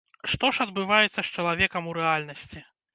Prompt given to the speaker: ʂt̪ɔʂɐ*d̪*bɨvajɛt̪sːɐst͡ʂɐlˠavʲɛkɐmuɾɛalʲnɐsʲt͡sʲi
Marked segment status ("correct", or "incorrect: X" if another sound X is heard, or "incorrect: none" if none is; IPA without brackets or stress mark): correct